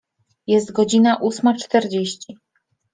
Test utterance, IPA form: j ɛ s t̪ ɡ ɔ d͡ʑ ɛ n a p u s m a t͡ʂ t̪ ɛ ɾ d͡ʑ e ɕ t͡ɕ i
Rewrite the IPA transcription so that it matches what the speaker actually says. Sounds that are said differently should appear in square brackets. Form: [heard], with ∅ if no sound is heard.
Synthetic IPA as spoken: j ɛ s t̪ ɡ ɔ d͡ʑ [i] n a [ʔ] u s m a t͡ʂ t̪ ɛ ɾ d͡ʑ e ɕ t͡ɕ i